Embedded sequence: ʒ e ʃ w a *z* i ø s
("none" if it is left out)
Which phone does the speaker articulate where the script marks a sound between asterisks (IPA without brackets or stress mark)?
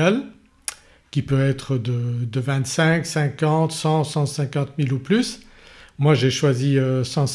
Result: z